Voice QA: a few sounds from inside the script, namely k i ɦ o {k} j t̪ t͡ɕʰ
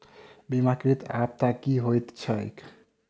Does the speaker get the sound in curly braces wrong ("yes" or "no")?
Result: yes